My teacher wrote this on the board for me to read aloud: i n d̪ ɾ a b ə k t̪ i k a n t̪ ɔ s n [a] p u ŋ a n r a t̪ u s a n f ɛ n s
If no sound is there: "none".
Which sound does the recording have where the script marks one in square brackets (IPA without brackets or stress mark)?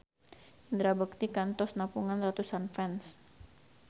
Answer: a